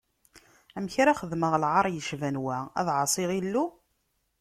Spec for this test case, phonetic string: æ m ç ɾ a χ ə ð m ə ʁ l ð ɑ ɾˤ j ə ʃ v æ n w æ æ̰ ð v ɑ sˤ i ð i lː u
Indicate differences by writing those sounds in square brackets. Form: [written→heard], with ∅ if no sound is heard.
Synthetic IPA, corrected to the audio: æ m ç ɾ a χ ə ð m ə ʁ l [ð→ʕ] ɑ ɾˤ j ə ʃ v æ n w æ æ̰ ð [v→ʕ] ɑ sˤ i [ð→ʁ] i lː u